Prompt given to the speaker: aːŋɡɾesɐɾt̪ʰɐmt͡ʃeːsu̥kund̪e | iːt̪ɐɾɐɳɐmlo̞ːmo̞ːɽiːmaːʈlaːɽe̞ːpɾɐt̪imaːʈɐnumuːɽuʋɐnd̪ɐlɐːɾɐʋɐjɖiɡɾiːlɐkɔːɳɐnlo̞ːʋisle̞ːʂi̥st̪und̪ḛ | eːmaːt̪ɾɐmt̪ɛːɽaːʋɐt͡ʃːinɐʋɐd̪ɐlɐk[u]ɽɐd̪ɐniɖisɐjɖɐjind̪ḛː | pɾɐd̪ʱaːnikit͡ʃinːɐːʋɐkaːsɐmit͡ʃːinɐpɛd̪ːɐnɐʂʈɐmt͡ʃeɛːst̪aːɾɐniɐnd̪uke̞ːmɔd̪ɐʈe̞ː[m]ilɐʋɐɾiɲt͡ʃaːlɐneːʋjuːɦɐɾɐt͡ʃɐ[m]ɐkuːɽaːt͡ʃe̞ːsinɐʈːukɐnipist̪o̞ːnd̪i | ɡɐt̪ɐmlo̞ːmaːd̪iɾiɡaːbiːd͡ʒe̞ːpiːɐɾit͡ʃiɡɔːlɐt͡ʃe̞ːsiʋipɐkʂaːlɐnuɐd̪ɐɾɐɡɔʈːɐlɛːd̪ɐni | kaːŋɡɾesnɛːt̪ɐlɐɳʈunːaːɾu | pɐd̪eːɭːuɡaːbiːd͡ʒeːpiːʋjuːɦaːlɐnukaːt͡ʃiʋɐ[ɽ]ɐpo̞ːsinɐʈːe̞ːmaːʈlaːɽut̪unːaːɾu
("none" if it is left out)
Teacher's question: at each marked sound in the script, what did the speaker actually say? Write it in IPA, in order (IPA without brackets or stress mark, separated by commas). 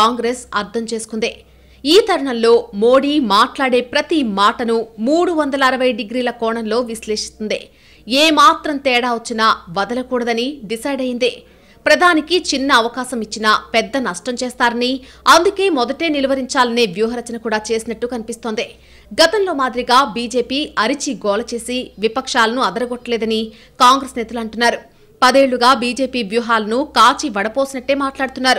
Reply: uː, n, n, ɽ